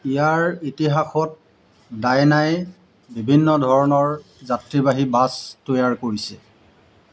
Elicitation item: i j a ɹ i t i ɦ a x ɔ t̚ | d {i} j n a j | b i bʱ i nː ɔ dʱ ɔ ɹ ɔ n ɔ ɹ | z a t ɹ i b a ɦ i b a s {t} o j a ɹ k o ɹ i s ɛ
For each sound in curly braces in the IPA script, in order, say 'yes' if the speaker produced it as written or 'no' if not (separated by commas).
no, yes